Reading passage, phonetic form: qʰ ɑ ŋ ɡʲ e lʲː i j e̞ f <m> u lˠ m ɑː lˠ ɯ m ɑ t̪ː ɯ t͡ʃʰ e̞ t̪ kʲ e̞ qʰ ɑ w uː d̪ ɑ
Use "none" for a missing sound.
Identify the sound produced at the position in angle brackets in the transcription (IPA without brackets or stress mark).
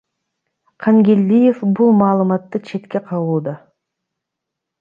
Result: b